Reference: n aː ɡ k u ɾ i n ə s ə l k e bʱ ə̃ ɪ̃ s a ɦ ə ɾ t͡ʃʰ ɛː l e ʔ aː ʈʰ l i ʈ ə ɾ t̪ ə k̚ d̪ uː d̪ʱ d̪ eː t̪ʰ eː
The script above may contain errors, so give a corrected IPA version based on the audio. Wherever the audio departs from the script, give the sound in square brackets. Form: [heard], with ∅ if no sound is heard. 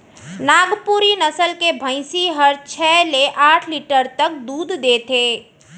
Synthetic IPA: n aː ɡ [p] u ɾ i n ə s ə l k e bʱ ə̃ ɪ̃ s [i] ɦ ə ɾ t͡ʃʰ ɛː l e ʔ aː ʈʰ l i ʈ ə ɾ t̪ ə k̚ d̪ uː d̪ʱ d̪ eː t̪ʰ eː

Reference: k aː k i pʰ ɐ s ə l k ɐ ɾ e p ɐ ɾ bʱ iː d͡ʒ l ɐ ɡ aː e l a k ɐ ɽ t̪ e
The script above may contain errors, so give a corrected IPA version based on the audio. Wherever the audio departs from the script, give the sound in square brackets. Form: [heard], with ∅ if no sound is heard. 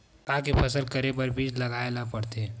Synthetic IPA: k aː k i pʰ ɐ s ə l k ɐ ɾ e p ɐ ɾ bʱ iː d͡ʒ l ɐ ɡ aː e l a [p] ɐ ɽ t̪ e

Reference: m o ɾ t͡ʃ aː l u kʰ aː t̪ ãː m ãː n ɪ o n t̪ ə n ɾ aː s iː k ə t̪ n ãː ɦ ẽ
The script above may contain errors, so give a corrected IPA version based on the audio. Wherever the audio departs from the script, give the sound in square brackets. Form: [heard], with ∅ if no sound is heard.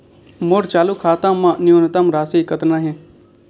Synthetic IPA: m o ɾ t͡ʃ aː l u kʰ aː t̪ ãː m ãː n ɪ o n t̪ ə [m] ɾ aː s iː k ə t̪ n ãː ɦ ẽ

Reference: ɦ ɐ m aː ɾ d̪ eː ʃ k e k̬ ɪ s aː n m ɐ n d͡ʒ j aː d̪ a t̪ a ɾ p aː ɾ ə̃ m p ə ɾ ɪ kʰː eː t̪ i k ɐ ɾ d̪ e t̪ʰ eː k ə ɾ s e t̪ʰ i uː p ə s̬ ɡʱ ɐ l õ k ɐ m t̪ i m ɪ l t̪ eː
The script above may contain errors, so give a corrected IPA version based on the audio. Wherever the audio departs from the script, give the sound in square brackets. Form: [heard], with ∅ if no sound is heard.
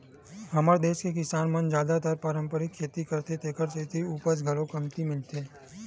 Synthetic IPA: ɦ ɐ m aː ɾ d̪ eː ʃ k e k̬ ɪ s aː n m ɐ n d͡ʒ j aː d̪ a t̪ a ɾ p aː ɾ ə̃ m p ə ɾ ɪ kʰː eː t̪ i k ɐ ɾ [t̪] e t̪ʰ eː k ə ɾ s e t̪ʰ i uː p ə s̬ ɡʱ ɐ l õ k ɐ m t̪ i m ɪ l t̪ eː

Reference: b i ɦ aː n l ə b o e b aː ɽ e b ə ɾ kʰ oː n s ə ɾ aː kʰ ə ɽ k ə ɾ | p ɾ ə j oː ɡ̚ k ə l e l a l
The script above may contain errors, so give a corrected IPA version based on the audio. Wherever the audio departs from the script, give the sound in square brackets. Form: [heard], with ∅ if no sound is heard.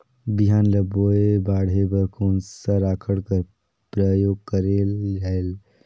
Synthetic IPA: b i ɦ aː n l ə b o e b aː ɽ e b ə ɾ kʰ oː n s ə ɾ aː kʰ ə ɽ k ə ɾ | p ɾ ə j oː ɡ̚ k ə [ɾ] e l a l

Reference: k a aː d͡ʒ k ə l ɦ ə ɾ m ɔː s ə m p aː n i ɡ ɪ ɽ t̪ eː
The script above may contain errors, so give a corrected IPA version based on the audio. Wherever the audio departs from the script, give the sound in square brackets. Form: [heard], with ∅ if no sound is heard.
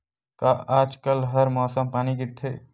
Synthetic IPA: k a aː d͡ʒ k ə l ɦ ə ɾ m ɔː s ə m p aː n i ɡ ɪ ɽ [t̪ʰ] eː

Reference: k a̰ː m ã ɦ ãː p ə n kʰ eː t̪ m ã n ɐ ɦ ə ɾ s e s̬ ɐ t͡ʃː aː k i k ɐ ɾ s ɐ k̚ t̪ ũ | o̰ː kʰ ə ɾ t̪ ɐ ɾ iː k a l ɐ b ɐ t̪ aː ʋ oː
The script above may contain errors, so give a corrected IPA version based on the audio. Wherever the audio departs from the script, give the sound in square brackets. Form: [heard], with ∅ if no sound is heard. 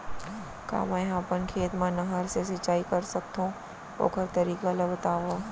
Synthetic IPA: k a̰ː m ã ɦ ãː p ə n kʰ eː t̪ m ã n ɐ ɦ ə ɾ s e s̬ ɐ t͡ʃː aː [∅] i k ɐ ɾ s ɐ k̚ t̪ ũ | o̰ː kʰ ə ɾ t̪ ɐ ɾ iː k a l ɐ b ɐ t̪ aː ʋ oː

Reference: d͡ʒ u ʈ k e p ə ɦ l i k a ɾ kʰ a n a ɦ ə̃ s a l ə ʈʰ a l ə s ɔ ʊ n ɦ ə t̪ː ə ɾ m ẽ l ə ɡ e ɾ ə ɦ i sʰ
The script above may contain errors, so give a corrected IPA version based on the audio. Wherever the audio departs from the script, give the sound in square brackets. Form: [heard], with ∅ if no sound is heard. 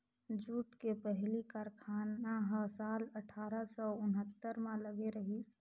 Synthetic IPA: d͡ʒ u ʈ k e p ə ɦ l i k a ɾ kʰ a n a ɦ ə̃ s a l ə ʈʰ a [ɾ] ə s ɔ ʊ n ɦ ə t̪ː ə ɾ m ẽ l ə ɡ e ɾ ə ɦ i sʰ

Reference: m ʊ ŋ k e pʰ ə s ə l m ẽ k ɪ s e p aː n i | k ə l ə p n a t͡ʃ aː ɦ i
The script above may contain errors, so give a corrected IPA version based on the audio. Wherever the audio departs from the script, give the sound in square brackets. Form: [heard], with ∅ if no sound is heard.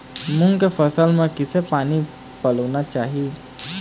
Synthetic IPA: m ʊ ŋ k e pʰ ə s ə l m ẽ k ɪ s e p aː n i | [p] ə l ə [∅] n a t͡ʃ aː ɦ i

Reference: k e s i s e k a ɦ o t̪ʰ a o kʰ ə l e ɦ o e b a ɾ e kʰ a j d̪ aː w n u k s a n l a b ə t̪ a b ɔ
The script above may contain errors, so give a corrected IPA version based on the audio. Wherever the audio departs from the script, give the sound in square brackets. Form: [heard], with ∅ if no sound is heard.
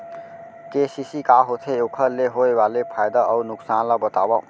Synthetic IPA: k e s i s [i] k a ɦ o t̪ʰ [e] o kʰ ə l e ɦ o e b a [l] e [pʰ] a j d̪ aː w n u k s a n l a b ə t̪ a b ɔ

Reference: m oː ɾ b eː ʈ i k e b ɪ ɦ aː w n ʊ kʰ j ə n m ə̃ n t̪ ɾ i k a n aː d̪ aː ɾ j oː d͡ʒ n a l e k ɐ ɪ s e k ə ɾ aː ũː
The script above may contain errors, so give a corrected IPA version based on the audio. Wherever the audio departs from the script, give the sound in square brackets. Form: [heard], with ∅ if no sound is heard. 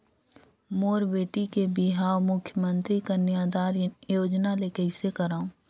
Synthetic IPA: m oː ɾ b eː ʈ i k e b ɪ ɦ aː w [m] ʊ kʰ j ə [∅] m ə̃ n t̪ ɾ i k a n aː d̪ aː ɾ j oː d͡ʒ n a l e k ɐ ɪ s e k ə ɾ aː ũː

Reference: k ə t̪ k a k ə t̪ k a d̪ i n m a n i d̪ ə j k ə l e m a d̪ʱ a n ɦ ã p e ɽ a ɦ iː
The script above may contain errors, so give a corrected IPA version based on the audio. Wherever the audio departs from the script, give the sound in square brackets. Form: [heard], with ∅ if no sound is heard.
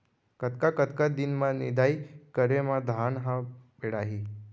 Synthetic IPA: k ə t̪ k a k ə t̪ k a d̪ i n m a n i d̪ [a] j k ə [ɾ] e m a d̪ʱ a n ɦ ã p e ɽ a ɦ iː

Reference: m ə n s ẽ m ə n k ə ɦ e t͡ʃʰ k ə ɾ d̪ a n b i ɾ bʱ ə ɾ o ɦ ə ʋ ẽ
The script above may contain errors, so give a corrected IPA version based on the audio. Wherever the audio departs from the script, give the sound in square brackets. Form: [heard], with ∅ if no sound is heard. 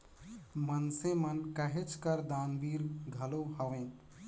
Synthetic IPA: m ə n s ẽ m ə n k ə ɦ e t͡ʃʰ k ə ɾ d̪ a n b i ɾ [ɡʱ] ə [l] o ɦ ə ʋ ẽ

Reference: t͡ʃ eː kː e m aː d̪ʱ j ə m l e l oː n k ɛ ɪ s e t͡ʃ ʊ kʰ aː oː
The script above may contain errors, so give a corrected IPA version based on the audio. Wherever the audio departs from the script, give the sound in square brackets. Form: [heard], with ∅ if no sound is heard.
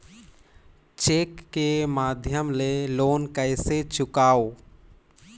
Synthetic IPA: t͡ʃ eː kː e m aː d̪ʱ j ə m l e l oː n k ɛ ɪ s e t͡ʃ ʊ [k] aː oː

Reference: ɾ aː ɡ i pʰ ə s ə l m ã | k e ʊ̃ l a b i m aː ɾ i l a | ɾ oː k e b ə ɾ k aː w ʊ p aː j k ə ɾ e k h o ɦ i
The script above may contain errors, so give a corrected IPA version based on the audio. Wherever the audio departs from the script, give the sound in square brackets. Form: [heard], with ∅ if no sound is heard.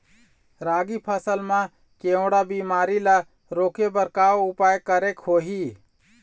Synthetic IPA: ɾ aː ɡ i pʰ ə s ə l m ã | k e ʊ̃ [ɽ] a b i m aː ɾ i l a | ɾ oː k e b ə ɾ k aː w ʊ p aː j k ə ɾ e k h o ɦ i

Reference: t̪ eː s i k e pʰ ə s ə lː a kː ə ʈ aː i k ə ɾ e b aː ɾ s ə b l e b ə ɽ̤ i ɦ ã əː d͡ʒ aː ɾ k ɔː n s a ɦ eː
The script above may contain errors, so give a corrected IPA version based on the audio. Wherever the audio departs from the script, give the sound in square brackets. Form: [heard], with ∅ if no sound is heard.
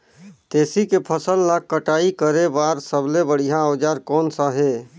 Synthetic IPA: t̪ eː s i k e pʰ ə s ə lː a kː ə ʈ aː i k ə ɾ e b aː ɾ s ə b l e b ə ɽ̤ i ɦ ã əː d͡ʒ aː ɾ k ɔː n s a ɦ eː

